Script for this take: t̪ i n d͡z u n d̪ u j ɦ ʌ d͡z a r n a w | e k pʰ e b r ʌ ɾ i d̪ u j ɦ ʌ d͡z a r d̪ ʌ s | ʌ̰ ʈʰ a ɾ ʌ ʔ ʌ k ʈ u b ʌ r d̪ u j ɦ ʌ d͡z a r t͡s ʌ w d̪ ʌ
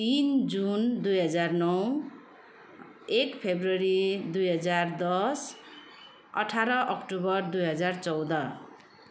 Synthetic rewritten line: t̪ i n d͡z u n d̪ u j ɦ ʌ d͡z a r n ʌ w | e k pʰ e b r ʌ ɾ i d̪ u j ɦ ʌ d͡z a r d̪ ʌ s | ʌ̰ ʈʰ a ɾ ʌ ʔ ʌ k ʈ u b ʌ r d̪ u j ɦ ʌ d͡z a r t͡s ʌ w d̪ ʌ